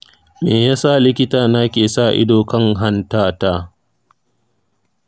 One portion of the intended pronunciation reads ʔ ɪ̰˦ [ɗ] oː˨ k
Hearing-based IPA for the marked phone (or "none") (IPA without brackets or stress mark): d